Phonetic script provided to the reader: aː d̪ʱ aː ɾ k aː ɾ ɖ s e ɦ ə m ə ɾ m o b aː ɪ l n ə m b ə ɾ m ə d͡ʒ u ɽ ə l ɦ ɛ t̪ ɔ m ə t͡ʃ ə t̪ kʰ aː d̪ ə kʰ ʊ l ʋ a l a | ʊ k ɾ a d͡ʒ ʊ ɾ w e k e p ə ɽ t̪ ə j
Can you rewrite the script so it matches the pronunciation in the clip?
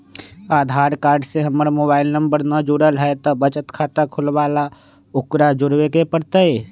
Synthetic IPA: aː d̪ʱ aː ɾ k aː ɾ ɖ s e ɦ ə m ə ɾ m o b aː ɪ l n ə m b ə ɾ n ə d͡ʒ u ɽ ə l ɦ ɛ t̪ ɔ b ə t͡ʃ ə t̪ kʰ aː t̪ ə kʰ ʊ l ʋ a l a | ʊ k ɾ a d͡ʒ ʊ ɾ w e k e p ə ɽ t̪ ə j

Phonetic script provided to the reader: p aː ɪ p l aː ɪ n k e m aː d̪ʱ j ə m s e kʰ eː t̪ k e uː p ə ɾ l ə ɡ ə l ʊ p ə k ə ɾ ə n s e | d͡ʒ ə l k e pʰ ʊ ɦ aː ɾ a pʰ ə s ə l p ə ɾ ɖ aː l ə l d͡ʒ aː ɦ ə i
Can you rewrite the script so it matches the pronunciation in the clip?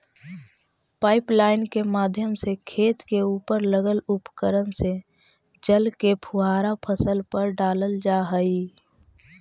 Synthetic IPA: p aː ɪ p l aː ɪ n k e m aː d̪ʱ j ə m s e kʰ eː t̪ k e uː p ə ɾ l ə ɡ ə l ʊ p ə k ə ɾ ə n s e | d͡ʒ ə l k e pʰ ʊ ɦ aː ɾ a pʰ ə s ə l p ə ɾ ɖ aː l ə l d͡ʒ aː ɦ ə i

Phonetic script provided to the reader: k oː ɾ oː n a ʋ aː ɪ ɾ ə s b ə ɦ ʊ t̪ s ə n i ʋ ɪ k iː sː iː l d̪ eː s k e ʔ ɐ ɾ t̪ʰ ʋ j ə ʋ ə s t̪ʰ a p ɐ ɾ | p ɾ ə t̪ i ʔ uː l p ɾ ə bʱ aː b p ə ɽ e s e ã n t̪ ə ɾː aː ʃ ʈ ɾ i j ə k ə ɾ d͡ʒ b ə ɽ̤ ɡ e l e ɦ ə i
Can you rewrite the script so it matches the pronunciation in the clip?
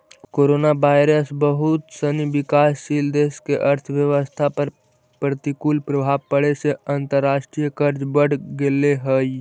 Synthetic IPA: k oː ɾ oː n a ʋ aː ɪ ɾ ə s b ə ɦ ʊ t̪ s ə n i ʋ ɪ k aː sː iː l d̪ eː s k e ʔ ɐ ɾ t̪ʰ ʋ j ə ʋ ə s t̪ʰ a p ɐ ɾ | p ɾ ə t̪ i k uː l p ɾ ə bʱ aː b p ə ɽ e s e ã n t̪ ə ɾː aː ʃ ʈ ɾ i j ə k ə ɾ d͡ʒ b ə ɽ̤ ɡ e l e ɦ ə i

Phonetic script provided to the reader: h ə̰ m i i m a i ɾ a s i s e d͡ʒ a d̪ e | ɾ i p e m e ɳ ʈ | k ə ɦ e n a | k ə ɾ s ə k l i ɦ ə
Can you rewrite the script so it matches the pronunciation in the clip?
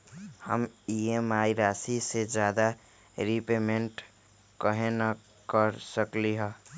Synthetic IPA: h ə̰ m i e m a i ɾ a s i s e d͡ʒ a d̪ a | ɾ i p e m e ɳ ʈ | k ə ɦ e n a | k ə ɾ s ə k l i ɦ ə

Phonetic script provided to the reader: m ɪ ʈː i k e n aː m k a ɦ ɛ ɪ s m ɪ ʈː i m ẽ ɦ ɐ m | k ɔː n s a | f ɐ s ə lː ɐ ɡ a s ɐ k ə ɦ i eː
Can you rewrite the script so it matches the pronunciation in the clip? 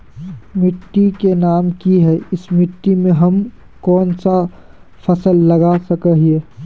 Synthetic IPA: m ɪ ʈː i k e n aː m k i ɦ ɛ ɪ s m ɪ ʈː i m ẽ ɦ ɐ m | k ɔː n s a | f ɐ s ə lː ɐ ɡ a s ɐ k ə ɦ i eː

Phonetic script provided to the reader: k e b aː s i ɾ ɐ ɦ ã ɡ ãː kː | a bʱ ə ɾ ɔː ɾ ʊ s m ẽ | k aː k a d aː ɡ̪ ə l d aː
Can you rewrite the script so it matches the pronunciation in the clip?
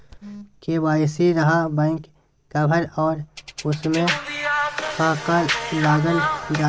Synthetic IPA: k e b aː s i ɾ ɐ ɦ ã b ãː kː | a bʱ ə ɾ ɔː ɾ ʊ s m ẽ | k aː k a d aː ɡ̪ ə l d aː

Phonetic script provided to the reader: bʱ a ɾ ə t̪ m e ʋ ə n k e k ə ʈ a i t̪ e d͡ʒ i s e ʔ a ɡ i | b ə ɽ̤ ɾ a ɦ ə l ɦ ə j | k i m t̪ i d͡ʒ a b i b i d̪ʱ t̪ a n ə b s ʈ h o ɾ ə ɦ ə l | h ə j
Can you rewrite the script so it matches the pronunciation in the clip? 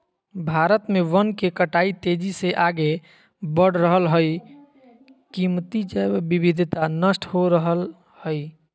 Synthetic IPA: bʱ a ɾ ə t̪ m e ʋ ə n k e k ə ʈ a i t̪ e d͡ʒ i s e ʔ a ɡ e | b ə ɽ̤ ɾ ə ɦ ə l ɦ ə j | k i m t̪ i d͡ʒ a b i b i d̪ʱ t̪ a n ə s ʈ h o ɾ ə ɦ ə l | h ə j

